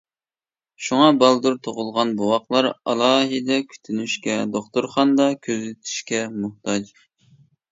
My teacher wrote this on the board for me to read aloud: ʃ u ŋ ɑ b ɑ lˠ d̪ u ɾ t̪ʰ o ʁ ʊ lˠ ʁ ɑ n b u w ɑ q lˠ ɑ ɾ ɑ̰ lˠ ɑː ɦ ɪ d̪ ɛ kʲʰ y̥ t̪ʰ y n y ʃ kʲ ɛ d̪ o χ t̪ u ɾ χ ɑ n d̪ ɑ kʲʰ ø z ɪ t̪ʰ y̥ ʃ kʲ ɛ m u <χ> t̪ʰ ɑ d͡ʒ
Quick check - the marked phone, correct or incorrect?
incorrect